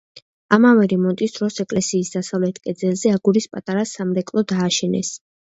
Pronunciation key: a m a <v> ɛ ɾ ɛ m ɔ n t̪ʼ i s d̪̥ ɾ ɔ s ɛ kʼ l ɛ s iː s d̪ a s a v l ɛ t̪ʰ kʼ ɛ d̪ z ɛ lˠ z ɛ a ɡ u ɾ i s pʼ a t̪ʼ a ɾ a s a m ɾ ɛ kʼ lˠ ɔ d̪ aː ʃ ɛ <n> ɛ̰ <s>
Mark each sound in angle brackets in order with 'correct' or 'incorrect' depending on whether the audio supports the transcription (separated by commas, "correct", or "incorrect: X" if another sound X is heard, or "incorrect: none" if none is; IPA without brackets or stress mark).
correct, correct, correct